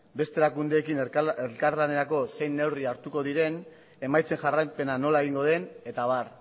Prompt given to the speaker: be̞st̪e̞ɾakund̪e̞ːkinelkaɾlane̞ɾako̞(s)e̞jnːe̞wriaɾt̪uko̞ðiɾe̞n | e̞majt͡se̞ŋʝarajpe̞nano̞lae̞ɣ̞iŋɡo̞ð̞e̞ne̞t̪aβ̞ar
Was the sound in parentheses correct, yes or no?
yes